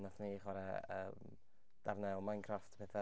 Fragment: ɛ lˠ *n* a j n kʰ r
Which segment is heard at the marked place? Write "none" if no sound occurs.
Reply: m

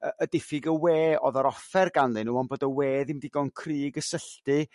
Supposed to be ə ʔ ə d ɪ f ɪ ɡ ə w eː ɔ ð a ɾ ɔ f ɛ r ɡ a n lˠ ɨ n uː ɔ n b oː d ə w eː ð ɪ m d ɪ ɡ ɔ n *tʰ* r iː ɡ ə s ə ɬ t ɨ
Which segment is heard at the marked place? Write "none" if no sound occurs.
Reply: kʰ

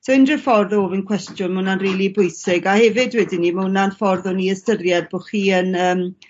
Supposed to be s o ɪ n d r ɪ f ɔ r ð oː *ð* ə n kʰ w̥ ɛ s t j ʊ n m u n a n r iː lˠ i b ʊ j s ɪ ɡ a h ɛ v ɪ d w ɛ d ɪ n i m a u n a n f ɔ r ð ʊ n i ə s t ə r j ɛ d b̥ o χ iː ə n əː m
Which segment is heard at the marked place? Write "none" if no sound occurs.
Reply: v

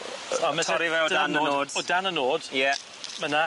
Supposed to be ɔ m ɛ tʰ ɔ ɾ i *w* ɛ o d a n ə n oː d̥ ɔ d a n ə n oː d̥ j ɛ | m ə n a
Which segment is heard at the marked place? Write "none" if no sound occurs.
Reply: v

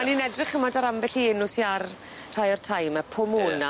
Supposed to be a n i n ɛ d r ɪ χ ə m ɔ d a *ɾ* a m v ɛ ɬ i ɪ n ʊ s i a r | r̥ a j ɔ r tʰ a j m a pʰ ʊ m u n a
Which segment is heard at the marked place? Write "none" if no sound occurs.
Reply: ɾ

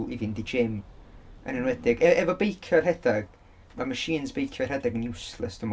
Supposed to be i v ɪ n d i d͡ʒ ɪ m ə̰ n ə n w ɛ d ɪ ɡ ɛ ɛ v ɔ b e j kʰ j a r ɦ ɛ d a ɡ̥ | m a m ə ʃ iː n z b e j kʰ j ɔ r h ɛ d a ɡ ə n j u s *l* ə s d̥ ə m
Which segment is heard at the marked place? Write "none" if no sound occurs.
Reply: l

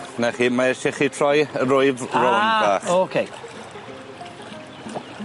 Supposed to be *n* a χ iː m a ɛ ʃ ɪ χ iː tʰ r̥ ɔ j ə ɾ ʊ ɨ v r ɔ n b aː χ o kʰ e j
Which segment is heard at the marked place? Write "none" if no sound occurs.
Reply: n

